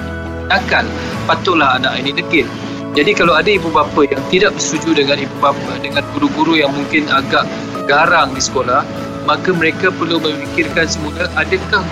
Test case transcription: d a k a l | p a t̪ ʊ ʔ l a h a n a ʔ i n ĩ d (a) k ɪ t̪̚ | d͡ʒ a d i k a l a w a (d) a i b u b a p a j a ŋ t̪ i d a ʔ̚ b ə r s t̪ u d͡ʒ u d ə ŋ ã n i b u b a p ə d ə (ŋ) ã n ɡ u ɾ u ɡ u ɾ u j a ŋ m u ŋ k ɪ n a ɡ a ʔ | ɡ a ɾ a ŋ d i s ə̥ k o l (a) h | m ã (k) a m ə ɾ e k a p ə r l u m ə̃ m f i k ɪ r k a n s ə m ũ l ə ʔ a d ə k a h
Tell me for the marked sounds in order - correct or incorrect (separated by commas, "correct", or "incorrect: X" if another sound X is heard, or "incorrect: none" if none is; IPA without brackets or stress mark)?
incorrect: ə, correct, correct, correct, correct